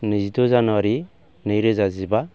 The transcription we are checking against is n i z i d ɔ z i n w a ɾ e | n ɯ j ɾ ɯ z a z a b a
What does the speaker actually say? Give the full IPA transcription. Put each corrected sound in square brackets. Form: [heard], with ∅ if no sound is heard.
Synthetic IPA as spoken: n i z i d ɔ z [a] n w a ɾ [i] | n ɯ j ɾ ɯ z a z [i] b a